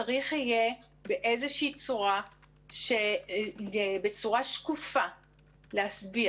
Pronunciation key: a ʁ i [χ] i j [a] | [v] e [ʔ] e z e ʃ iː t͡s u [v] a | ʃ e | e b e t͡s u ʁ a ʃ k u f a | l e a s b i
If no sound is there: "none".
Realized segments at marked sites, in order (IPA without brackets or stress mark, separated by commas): χ, e, b, ʔ, ʁ